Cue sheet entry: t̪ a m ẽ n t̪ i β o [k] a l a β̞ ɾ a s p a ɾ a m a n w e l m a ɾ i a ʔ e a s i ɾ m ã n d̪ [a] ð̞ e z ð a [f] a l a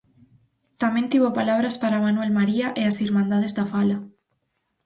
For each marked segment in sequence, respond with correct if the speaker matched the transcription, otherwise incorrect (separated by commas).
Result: incorrect, correct, correct